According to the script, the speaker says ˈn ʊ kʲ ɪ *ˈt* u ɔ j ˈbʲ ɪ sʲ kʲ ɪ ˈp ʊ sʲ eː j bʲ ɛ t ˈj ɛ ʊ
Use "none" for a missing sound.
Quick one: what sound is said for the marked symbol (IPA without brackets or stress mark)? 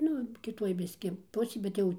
t